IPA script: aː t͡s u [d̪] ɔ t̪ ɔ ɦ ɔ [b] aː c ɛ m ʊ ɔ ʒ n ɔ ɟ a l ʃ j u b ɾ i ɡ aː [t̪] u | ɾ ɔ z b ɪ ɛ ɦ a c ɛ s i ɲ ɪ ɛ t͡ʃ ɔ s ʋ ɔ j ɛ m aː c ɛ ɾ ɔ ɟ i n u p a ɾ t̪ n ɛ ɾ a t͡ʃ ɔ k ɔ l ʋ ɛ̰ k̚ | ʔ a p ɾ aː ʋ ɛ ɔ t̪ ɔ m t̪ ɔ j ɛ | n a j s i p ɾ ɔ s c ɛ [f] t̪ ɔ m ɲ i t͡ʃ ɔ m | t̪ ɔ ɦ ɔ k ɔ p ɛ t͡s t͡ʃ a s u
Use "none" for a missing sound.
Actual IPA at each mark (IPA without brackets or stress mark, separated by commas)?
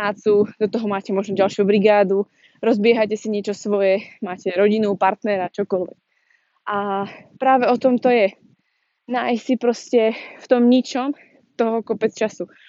d̪, m, d̪, f